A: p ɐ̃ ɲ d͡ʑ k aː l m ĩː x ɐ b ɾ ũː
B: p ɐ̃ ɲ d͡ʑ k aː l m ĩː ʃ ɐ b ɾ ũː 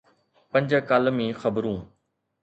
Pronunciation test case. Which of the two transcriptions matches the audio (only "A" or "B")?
A